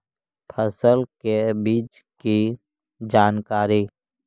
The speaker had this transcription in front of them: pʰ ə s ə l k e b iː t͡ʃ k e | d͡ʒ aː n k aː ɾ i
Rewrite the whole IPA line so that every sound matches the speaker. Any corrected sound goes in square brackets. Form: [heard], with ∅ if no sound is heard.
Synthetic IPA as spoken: pʰ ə s ə l k e b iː t͡ʃ k [i] | d͡ʒ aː n k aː ɾ i